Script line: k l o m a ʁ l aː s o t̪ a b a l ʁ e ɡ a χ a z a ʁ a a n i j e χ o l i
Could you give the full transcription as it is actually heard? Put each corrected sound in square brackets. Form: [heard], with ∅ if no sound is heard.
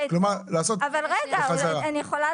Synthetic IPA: k l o m a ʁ l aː s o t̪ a [v] a l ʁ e ɡ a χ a z a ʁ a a n i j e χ o l [a]